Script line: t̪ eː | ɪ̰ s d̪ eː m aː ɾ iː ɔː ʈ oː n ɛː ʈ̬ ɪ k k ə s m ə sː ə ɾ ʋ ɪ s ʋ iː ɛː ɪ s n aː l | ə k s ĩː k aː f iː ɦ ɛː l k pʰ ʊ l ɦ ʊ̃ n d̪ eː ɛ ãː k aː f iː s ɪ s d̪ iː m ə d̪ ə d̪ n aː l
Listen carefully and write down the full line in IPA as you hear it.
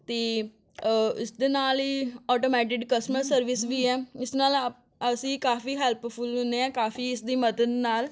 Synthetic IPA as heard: t̪ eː | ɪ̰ s d̪ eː n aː l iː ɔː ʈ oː m ɛː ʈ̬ ɪ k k ə s m ə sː ə ɾ ʋ ɪ s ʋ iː ɛː ɪ s n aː l | ə s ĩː k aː f iː ɦ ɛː l p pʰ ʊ l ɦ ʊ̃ n d̪ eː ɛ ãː k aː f iː ɪ s d̪ iː m ə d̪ ə d̪ n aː l

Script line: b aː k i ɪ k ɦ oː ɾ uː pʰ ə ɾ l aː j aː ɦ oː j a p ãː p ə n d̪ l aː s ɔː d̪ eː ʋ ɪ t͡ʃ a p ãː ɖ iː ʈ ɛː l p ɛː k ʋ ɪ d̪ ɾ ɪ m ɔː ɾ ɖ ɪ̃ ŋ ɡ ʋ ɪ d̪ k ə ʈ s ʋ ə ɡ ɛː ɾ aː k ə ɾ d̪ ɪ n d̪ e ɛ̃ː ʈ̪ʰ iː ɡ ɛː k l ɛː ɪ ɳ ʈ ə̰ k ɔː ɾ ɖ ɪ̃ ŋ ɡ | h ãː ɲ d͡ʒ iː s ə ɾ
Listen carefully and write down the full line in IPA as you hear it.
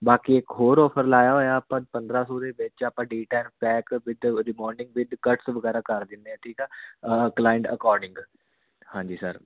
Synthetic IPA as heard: b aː k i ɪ k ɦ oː ɾ ɔː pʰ ə ɾ l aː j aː ɦ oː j a p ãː p ə n d̪ ɾ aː s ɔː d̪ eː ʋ ɪ t͡ʃ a p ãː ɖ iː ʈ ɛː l p ɛː k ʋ ɪ d̪ ɾ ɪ m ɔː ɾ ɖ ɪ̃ ŋ ɡ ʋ ɪ d̪ k ə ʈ s ʋ ə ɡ ɛː ɾ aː k ə ɾ d̪ ɪ n d̪ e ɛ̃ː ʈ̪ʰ iː k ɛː k l aː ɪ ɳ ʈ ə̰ k ɔː ɾ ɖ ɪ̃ ŋ ɡ | h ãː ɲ d͡ʒ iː s ə ɾ

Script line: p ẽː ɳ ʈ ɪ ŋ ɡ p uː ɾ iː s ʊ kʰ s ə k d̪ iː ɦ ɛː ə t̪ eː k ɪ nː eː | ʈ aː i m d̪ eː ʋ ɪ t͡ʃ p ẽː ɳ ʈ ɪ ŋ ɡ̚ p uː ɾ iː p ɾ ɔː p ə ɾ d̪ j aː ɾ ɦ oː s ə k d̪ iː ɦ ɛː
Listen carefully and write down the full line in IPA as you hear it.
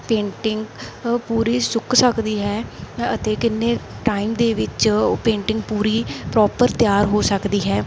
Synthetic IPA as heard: p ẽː ɳ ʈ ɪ ŋ ɡ p uː ɾ iː s ʊ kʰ s ə k d̪ iː ɦ ɛː ə t̪ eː k ɪ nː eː | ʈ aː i m d̪ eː ʋ ɪ t͡ʃ p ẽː ɳ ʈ ɪ ŋ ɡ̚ p uː ɾ iː p ɾ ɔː p ə ɾ t̪ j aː ɾ ɦ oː s ə k d̪ iː ɦ ɛː

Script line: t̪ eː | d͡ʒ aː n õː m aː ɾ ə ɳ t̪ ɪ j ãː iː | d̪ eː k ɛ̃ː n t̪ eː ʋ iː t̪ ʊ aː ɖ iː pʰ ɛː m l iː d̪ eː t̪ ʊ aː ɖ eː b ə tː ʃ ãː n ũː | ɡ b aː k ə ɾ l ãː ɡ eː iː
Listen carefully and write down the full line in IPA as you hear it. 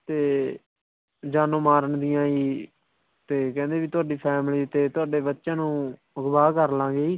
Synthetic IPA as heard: t̪ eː | d͡ʒ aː n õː m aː ɾ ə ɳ d̪ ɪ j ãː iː | t̪ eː k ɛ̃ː n d̪ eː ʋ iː t̪ ʊ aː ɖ iː pʰ ɛː m l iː t̪ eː t̪ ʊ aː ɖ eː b ə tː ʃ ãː n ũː | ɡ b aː k ə ɾ l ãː ɡ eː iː

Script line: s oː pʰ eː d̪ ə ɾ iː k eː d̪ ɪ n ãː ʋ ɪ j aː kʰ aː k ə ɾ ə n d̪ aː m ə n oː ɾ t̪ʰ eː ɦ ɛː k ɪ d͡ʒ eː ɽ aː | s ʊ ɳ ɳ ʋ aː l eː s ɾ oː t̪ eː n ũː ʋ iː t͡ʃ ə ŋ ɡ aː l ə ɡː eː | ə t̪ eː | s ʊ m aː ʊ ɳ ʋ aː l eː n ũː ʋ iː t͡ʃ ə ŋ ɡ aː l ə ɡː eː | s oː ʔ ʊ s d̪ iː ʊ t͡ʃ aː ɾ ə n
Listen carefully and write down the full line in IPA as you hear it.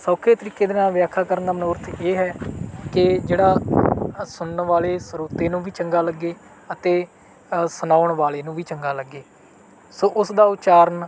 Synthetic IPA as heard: s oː kʰ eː t̪ ə ɾ iː k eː d̪ ɪ n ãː ʋ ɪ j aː kʰ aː k ə ɾ ə n d̪ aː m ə n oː ɾ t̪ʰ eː ɦ ɛː k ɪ d͡ʒ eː ɽ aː | s ʊ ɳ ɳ ʋ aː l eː s ɾ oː t̪ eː n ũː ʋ iː t͡ʃ ə ŋ ɡ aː l ə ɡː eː | ə t̪ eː | s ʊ n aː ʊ ɳ ʋ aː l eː n ũː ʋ iː t͡ʃ ə ŋ ɡ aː l ə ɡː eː | s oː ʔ ʊ s d̪ aː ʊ t͡ʃ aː ɾ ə n

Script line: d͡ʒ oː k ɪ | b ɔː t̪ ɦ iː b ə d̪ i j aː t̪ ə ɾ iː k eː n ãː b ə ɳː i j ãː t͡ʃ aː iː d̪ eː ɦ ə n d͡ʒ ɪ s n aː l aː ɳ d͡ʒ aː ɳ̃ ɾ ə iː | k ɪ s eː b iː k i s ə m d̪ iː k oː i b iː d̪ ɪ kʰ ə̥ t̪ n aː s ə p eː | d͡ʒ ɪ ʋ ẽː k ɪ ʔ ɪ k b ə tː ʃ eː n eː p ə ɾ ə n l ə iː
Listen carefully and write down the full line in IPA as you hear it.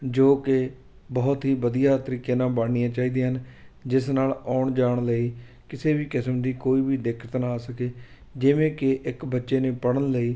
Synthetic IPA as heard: d͡ʒ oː k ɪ | b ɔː t̪ ɦ iː b ə d̪ i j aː t̪ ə ɾ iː k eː n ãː b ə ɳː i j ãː t͡ʃ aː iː d̪ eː ɦ ə n d͡ʒ ɪ s n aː l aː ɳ d͡ʒ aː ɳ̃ l ə iː | k ɪ s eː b iː k ɪ s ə m d̪ iː k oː iː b iː d̪ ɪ kʰ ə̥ t̪ n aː s ə k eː | d͡ʒ ɪ ʋ ẽː k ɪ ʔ ɪ k b ə tː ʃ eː n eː p ə ɽ ə n l ə iː

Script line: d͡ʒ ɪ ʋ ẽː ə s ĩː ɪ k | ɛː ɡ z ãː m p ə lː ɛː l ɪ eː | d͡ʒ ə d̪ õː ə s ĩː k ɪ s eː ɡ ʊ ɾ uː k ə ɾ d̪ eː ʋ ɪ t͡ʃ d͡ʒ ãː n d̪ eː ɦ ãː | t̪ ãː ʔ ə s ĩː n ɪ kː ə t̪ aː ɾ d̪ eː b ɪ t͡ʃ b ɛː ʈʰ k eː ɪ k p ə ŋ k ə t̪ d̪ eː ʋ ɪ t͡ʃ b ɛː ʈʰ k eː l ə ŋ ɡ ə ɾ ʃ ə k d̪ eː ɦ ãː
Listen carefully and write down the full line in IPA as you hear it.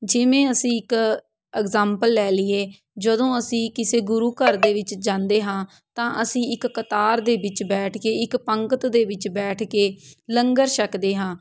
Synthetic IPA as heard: d͡ʒ ɪ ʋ ẽː ə s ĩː ɪ k | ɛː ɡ z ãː m p ə lː ɛː l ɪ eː | d͡ʒ ə d̪ õː ə s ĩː k ɪ s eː ɡ ʊ ɾ uː k ə ɾ d̪ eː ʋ ɪ t͡ʃ d͡ʒ ãː n d̪ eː ɦ ãː | t̪ ãː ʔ ə s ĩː ɪ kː ə t̪ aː ɾ d̪ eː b ɪ t͡ʃ b ɛː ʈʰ k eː ɪ k p ə ŋ k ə t̪ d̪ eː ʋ ɪ t͡ʃ b ɛː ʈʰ k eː l ə ŋ ɡ ə ɾ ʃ ə k d̪ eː ɦ ãː

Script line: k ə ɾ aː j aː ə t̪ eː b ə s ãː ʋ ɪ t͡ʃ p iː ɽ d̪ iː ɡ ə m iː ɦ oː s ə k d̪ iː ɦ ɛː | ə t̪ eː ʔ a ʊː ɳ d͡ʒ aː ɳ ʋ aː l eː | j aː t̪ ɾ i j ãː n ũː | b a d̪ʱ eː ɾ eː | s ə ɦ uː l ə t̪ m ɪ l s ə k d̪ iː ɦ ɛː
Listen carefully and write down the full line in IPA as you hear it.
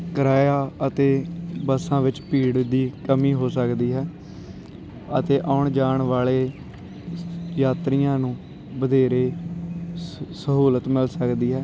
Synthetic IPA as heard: k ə ɾ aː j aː ə t̪ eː b ə s ãː ʋ ɪ t͡ʃ p iː ɽ d̪ iː k ə m iː ɦ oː s ə k d̪ iː ɦ ɛː | ə t̪ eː ʔ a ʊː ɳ d͡ʒ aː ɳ ʋ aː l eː | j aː t̪ ɾ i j ãː n ũː | b ə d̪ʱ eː ɾ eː | s ə ɦ uː l ə t̪ m ɪ l s ə k d̪ iː ɦ ɛː

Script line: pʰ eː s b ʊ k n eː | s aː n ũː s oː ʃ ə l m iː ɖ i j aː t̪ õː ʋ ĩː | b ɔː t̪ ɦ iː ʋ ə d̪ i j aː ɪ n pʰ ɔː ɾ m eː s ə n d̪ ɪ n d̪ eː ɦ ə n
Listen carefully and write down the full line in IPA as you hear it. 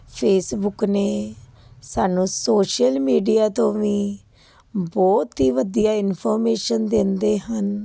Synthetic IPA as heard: pʰ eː s b ʊ k n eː | s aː n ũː s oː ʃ ə l m iː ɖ i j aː t̪ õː ʋ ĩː | b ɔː t̪ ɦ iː ʋ ə d̪ i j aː ɪ n pʰ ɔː ɾ m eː ʃ ə n d̪ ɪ n d̪ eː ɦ ə n

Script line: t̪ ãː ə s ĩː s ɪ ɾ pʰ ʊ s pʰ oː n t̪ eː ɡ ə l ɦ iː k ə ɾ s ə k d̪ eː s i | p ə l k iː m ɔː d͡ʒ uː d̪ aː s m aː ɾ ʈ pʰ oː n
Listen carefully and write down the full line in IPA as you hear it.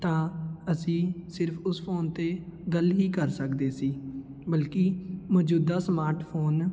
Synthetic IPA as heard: t̪ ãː ə s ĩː s ɪ ɾ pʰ ʊ s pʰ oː n t̪ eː ɡ ə l ɦ iː k ə ɾ s ə k d̪ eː s iː | b ə l k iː m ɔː d͡ʒ uː d̪ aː s m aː ɾ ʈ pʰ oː n

